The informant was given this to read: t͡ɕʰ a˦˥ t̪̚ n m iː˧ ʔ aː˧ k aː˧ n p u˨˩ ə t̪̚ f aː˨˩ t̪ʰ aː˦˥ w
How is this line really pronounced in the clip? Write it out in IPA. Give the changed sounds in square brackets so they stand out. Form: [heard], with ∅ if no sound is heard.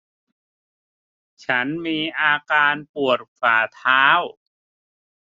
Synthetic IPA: t͡ɕʰ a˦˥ [∅] n m iː˧ ʔ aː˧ k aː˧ n p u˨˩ ə t̪̚ f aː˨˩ t̪ʰ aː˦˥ w